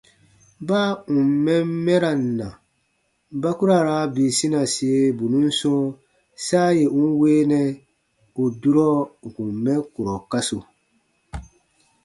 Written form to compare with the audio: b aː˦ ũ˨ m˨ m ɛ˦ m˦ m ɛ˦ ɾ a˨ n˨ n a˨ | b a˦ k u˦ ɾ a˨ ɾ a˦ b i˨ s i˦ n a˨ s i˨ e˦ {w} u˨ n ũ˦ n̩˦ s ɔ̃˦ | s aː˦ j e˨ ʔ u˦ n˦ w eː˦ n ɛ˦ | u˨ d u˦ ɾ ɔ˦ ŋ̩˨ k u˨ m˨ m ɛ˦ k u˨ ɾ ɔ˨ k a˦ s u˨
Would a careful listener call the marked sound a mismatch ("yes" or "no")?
yes